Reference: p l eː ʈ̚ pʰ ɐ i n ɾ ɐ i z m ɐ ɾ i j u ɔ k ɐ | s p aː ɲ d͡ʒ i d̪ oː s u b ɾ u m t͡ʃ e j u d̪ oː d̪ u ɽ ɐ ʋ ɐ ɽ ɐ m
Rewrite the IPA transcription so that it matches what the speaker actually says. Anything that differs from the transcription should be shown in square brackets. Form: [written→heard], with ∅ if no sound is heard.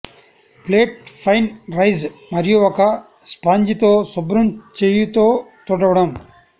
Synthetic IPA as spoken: p l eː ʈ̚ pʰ ɐ [i→j] n ɾ ɐ [i→j] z m ɐ ɾ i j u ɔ k ɐ | s p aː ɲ d͡ʒ i [d̪→t̪] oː s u b ɾ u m t͡ʃ e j u [d̪→t̪] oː [d̪→t̪] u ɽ ɐ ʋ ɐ ɽ ɐ m